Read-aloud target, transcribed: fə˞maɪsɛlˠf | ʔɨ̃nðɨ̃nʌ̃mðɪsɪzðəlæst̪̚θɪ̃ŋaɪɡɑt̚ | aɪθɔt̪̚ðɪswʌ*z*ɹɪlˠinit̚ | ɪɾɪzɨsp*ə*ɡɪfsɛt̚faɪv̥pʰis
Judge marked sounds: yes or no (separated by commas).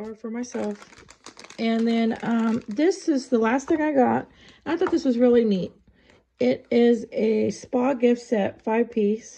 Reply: yes, no